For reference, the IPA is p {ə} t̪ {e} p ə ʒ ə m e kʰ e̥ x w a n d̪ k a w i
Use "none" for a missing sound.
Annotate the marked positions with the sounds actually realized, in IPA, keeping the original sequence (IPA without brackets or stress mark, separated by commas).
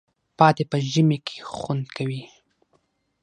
ɑ, e